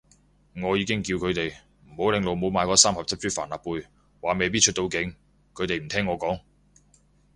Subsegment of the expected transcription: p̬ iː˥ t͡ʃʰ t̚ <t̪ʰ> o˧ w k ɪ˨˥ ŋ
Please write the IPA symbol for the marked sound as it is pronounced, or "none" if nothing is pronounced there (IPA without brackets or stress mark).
t̪